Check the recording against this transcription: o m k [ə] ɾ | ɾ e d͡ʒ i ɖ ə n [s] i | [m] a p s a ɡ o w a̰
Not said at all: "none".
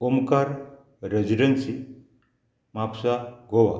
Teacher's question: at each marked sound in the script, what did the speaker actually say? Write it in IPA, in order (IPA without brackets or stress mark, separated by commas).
a, s, m